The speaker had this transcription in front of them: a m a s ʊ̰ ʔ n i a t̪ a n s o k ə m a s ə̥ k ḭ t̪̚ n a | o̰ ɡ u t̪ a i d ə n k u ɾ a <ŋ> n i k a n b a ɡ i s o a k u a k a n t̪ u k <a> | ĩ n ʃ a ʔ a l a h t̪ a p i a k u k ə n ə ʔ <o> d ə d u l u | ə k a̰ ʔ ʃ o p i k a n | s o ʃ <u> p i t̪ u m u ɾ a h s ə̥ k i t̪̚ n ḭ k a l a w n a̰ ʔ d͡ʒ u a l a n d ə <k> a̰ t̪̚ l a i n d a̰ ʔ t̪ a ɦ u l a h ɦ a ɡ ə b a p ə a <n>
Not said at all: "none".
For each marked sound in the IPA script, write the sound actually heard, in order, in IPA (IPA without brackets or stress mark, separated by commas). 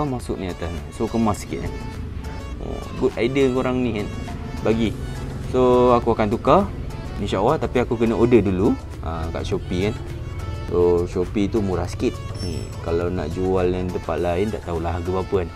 ŋ, a, o, o, p, n